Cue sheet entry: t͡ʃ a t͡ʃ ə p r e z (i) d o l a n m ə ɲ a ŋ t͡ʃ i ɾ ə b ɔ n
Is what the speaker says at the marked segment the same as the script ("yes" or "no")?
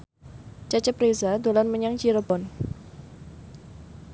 no